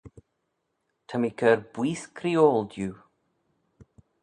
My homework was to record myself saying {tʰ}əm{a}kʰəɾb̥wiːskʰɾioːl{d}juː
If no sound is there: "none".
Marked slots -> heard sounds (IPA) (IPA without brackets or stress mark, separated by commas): tʰ, i, d